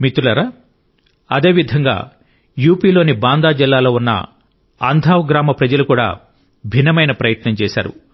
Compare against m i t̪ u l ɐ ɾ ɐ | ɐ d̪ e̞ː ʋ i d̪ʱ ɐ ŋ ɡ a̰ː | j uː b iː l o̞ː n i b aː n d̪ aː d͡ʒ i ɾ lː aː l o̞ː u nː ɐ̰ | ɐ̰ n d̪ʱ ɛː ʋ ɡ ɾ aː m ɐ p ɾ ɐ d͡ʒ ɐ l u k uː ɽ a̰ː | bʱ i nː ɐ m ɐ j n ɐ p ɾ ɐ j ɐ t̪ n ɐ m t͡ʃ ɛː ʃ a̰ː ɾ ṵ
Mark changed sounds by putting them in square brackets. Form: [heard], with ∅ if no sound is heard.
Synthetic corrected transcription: m i t̪ u l ɐ ɾ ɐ | ɐ d̪ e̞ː ʋ i d̪ʱ ɐ ŋ ɡ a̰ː | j uː [p] iː l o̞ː n i b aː n d̪ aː d͡ʒ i [∅] lː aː l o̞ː u nː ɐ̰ | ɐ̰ n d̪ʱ [aː] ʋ ɡ ɾ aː m ɐ p ɾ ɐ d͡ʒ ɐ l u k uː ɽ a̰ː | bʱ i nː ɐ m ɐ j n ɐ p ɾ ɐ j ɐ t̪ n ɐ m t͡ʃ ɛː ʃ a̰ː ɾ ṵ